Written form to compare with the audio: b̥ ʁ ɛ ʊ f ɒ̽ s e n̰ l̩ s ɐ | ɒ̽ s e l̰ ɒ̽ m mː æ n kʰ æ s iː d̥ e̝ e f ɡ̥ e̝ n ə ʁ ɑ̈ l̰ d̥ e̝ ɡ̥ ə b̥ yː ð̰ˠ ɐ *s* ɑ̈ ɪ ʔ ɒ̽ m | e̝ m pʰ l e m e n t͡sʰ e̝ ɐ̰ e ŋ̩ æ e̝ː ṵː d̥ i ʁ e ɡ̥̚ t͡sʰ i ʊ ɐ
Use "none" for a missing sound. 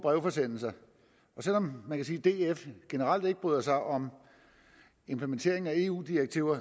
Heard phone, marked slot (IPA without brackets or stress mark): s